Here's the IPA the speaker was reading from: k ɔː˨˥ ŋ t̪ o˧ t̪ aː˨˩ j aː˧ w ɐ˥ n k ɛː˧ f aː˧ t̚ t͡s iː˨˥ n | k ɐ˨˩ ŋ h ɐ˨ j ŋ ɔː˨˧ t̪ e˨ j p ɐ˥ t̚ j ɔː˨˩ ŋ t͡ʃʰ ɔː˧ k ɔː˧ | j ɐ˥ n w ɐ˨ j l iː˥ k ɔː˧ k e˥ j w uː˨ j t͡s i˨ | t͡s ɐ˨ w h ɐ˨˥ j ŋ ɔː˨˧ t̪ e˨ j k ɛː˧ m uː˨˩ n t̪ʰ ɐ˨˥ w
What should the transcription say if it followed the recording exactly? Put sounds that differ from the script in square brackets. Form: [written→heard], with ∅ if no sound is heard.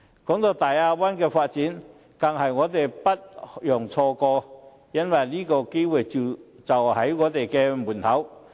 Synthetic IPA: k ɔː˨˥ ŋ t̪ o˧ t̪ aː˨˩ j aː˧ w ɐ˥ n k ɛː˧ f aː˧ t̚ t͡s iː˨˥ n | k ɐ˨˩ ŋ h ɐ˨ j ŋ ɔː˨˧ t̪ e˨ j p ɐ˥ t̚ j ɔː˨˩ ŋ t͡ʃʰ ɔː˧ k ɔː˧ | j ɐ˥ n w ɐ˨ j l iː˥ k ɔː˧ k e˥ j w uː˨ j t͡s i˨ | t͡s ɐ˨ w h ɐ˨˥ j ŋ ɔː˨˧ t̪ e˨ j k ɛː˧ m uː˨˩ n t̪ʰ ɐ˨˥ w